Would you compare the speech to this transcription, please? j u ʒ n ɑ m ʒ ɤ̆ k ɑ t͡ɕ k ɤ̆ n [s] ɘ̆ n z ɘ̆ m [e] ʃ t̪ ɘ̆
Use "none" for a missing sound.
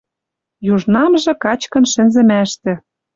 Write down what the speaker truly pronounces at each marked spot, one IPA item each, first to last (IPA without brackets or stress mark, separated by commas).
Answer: ʃ, æ